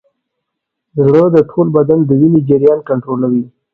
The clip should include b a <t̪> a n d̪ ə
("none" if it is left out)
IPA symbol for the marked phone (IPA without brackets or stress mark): d̪